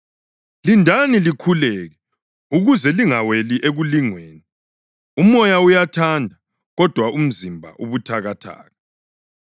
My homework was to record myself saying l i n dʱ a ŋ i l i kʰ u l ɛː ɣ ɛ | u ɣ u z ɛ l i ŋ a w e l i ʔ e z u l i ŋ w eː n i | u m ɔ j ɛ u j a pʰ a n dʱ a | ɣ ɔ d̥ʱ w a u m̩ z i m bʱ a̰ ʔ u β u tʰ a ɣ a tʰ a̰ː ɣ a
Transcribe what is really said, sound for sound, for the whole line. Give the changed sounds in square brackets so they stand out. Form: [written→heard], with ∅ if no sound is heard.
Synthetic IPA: l i n dʱ a [ŋ→n] i l i kʰ u l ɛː ɣ ɛ | u ɣ u z ɛ l i ŋ a w e l i ʔ e [z→ɣ] u l i ŋ w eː n i | u m ɔ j [ɛ→a] u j a [pʰ→tʰ] a n dʱ a | ɣ ɔ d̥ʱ w a u m̩ z i m bʱ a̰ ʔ u β u tʰ a ɣ a tʰ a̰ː ɣ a